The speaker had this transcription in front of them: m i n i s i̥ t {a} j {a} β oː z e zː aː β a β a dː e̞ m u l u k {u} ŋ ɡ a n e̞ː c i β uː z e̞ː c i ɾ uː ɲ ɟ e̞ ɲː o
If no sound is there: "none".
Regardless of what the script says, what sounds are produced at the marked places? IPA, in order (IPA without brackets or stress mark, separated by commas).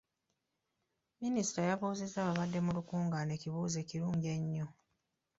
a, a, uː